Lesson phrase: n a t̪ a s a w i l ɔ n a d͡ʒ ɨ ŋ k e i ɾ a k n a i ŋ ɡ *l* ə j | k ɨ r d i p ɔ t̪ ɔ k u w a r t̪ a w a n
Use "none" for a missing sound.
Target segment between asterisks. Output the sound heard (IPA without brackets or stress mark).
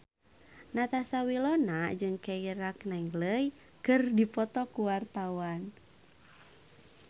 l